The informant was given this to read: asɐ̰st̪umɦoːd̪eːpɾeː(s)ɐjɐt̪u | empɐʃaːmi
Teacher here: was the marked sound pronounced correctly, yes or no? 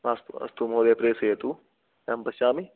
yes